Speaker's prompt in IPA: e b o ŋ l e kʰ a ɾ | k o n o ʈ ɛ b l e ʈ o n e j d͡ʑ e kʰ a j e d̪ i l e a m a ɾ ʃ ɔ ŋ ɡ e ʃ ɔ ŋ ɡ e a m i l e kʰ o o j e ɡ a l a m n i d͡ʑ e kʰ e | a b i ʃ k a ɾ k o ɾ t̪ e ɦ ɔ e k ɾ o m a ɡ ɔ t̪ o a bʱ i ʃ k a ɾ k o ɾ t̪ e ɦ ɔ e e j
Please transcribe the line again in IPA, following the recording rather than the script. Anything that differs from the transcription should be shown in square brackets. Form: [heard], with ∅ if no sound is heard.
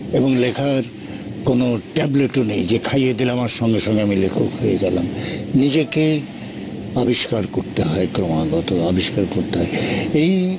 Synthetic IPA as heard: e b o ŋ l e kʰ a ɾ | k o n o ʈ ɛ b l e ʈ o n e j d͡ʑ e kʰ a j e d̪ i l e a m a ɾ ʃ ɔ ŋ ɡ e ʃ ɔ ŋ ɡ e a m i l e kʰ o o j e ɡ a l a m n i d͡ʑ e [k] e | a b i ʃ k a ɾ k o ɾ t̪ e ɦ ɔ e k ɾ o m a ɡ ɔ t̪ o a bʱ i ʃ k a ɾ k o ɾ t̪ e ɦ ɔ e e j

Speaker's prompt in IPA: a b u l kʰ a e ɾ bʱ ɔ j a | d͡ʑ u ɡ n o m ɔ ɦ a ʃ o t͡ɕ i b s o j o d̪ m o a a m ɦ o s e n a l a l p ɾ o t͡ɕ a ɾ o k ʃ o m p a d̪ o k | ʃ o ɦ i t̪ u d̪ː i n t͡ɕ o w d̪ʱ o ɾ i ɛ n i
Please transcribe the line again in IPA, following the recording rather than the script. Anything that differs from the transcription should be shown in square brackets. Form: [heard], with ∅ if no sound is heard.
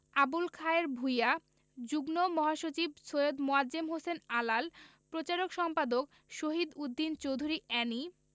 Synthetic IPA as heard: a b u l kʰ a e ɾ bʱ [u] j a | d͡ʑ u ɡ n o m ɔ ɦ a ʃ o t͡ɕ i b s o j o d̪ m o a [e] m ɦ o s e n a l a l p ɾ o t͡ɕ a ɾ o k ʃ [ɔ] m p a d̪ o k | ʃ o ɦ i [d̪] u d̪ː i n t͡ɕ o w d̪ʱ [u] ɾ i ɛ n i

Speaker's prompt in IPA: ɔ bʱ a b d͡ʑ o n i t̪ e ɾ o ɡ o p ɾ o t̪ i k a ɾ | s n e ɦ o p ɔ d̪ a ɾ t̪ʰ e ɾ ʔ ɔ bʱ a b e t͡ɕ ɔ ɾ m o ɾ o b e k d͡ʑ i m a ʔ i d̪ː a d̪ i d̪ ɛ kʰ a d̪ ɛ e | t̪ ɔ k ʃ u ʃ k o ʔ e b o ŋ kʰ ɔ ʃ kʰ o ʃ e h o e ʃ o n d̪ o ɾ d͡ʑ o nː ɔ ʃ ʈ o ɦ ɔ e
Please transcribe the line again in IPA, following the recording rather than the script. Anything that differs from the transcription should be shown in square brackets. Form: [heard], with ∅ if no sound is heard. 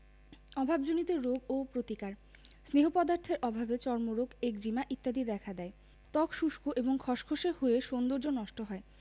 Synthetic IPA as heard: ɔ bʱ a b d͡ʑ o n i t̪ e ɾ o ɡ o p ɾ o t̪ i k a ɾ | s n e ɦ o p ɔ d̪ a ɾ t̪ʰ e ɾ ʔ ɔ bʱ a b e t͡ɕ ɔ ɾ m o ɾ o [ɡ] e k d͡ʑ i m a ʔ i [t̪ː] a d̪ i d̪ ɛ kʰ a d̪ ɛ e | t̪ ɔ k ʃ u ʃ k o ʔ e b o ŋ kʰ ɔ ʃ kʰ o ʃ e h o e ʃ o n d̪ o ɾ d͡ʑ o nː ɔ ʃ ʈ o ɦ ɔ e

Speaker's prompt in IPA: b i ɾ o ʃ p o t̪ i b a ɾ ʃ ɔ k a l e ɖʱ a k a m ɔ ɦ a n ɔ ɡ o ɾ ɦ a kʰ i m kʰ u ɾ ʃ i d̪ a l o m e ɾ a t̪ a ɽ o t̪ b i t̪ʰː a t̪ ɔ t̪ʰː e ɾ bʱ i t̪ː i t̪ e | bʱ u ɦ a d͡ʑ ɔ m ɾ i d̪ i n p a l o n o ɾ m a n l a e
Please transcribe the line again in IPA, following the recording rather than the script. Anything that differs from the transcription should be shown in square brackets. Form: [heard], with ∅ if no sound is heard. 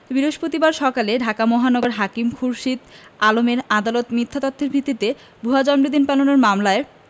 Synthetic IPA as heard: b i ɾ o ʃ p o t̪ i b a ɾ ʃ ɔ k a l e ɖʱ a k a m ɔ ɦ a n ɔ ɡ o ɾ ɦ a [k] i m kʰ u ɾ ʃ i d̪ a l o m e ɾ a [d̪] a [l] o t̪ [m] i t̪ʰː a t̪ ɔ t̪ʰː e ɾ bʱ i t̪ː i t̪ e | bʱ u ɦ a d͡ʑ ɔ m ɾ i d̪ i n p a l o n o ɾ m a [m] l a e

